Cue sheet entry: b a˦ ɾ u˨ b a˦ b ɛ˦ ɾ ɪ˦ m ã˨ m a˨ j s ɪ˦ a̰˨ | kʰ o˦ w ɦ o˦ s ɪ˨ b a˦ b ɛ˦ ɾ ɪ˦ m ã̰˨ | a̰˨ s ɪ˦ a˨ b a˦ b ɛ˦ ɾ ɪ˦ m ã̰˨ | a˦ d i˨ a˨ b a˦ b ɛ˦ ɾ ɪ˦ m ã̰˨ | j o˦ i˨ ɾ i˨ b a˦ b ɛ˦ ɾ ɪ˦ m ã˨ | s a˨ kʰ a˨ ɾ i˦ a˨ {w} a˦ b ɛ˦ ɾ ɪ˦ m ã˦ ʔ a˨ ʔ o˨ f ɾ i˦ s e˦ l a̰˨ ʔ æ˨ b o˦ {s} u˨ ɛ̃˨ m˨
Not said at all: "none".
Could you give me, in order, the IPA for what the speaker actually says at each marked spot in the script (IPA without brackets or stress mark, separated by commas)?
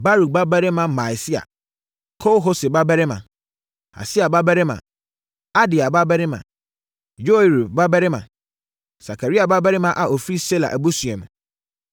b, s